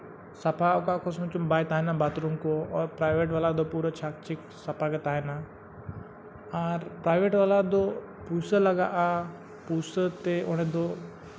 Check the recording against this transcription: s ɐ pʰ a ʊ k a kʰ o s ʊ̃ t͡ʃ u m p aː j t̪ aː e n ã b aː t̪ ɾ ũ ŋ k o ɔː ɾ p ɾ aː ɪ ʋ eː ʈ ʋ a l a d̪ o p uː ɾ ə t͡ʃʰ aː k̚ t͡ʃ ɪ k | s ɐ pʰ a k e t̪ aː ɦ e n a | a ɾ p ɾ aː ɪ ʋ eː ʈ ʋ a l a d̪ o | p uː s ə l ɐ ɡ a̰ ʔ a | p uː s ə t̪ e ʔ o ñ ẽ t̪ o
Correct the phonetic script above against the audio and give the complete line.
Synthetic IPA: s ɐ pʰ a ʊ k a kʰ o s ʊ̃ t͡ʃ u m b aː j t̪ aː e n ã b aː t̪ ɾ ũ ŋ k o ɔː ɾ p ɾ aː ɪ ʋ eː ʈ ʋ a l a d̪ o p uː ɾ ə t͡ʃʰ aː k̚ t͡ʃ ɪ k | s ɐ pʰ a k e t̪ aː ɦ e n a | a ɾ p ɾ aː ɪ ʋ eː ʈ ʋ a l a d̪ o | p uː s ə l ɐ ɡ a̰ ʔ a | p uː s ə t̪ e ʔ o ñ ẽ d̪ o